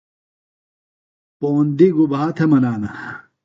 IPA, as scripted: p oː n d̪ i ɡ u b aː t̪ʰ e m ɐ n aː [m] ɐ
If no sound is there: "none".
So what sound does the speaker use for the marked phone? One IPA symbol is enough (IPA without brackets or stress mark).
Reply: n